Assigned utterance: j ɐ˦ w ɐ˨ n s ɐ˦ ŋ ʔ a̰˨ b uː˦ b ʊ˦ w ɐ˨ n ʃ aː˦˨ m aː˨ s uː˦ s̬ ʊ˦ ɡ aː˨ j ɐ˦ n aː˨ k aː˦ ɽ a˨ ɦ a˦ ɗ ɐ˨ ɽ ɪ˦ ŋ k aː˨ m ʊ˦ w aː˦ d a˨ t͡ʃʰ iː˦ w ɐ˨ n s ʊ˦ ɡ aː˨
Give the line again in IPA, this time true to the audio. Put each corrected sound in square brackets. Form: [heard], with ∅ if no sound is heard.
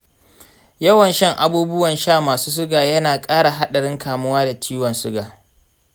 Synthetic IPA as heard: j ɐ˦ w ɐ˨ n [ʃ] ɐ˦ ŋ ʔ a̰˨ b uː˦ b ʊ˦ w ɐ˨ n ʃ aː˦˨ m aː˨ s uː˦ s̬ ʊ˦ ɡ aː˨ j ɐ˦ n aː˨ [kʼ] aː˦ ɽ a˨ ɦ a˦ ɗ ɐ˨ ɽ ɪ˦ ŋ k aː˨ m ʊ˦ w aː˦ d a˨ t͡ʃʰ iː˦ w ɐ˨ n s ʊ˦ ɡ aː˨